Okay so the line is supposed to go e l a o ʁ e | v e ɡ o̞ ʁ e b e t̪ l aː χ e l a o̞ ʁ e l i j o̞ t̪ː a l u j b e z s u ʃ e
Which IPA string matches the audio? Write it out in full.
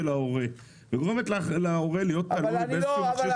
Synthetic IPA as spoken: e l a o ʁ e | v e ɡ o̞ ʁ e m e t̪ l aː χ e l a o̞ ʁ e l i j o̞ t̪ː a l u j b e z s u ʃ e